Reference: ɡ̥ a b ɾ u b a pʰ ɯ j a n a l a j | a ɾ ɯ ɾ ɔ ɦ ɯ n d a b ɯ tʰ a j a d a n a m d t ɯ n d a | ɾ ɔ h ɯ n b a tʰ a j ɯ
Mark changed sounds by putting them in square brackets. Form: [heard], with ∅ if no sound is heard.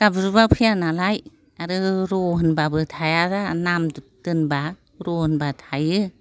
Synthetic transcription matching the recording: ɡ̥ a b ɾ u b a pʰ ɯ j a n a l a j | a ɾ ɯ ɾ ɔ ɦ ɯ n [b] a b ɯ tʰ a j a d a n a m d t ɯ n [b] a | ɾ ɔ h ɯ n b a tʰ a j ɯ